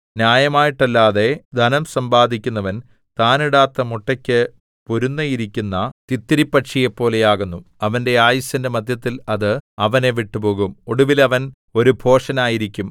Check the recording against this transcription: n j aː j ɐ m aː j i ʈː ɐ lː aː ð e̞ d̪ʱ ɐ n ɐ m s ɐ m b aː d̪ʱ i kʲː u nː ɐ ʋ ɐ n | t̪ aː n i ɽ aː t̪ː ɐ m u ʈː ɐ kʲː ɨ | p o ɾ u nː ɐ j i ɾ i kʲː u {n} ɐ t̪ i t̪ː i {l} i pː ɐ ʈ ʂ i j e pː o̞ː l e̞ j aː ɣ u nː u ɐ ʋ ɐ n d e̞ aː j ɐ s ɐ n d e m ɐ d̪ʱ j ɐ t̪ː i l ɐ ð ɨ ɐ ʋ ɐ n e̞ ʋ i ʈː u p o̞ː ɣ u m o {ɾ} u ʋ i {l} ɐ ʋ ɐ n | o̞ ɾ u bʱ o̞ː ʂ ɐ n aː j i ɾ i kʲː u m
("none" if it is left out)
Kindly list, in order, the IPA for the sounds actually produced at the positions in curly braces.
nː, ɾ, ɽ, l

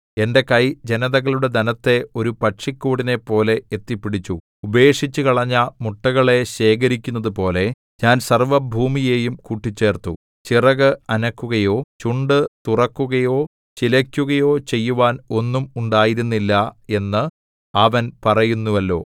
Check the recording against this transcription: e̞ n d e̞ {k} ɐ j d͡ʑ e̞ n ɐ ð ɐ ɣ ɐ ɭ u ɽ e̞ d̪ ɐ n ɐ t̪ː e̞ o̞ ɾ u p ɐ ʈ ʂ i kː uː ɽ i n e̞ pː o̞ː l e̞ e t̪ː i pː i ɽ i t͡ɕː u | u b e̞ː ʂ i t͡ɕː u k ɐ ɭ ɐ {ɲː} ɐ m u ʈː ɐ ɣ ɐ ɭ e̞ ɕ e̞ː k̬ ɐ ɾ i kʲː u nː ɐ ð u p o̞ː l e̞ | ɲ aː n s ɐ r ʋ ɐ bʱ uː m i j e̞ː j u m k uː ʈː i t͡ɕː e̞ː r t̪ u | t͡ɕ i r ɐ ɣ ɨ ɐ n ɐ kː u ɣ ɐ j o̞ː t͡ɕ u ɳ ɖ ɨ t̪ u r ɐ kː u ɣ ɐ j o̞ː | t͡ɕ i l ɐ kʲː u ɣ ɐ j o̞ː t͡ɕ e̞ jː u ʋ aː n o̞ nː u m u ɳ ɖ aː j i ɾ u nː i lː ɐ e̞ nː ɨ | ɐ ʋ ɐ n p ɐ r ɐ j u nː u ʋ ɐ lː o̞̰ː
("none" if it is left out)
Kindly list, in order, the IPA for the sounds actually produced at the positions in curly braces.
k, ɲː

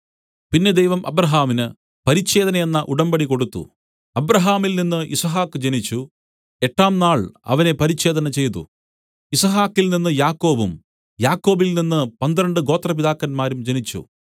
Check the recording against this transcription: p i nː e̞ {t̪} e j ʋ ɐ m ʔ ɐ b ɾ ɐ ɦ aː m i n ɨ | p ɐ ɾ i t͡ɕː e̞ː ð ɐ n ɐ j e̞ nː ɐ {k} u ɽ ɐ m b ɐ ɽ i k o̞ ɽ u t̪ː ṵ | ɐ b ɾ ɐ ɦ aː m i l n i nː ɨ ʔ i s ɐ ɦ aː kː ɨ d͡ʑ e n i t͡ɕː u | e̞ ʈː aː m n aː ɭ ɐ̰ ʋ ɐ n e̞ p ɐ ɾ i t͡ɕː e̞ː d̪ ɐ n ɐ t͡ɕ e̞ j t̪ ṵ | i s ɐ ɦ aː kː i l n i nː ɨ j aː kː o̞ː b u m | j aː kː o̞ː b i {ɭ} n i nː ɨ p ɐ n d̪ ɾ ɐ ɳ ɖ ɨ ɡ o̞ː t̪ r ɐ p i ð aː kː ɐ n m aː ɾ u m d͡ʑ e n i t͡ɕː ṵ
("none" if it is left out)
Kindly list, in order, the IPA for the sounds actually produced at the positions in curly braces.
d̪, ʔ, l

